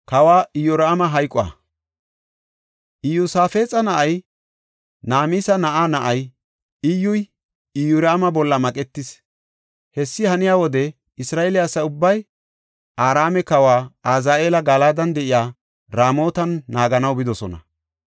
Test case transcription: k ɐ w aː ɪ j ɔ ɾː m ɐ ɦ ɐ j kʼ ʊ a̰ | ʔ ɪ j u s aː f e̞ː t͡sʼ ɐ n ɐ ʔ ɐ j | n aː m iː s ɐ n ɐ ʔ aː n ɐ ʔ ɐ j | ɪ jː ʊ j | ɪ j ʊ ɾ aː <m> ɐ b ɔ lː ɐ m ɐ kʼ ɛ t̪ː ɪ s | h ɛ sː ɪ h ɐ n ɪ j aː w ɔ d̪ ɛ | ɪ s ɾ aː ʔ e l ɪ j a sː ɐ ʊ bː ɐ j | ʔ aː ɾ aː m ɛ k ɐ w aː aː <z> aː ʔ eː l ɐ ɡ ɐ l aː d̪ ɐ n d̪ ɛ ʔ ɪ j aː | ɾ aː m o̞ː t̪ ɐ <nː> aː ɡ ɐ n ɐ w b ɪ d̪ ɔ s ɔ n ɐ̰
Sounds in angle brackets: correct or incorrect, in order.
correct, correct, correct

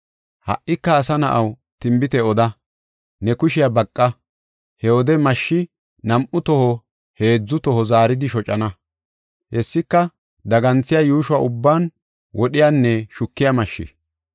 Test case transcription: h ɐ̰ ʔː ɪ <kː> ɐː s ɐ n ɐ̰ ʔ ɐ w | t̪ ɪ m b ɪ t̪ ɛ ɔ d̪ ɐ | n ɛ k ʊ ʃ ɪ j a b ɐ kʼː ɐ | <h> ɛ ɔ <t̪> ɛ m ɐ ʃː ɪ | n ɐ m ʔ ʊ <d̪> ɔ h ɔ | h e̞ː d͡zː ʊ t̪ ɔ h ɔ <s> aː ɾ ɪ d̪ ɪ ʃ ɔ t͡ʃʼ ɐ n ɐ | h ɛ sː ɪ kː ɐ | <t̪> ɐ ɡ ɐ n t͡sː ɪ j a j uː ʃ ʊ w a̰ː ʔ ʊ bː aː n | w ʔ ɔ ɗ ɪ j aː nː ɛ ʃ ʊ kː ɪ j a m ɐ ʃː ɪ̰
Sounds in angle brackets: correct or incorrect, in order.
correct, correct, incorrect, incorrect, incorrect, incorrect

